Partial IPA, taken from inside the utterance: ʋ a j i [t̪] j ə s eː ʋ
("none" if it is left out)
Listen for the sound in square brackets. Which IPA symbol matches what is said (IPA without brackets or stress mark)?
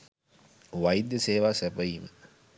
d̪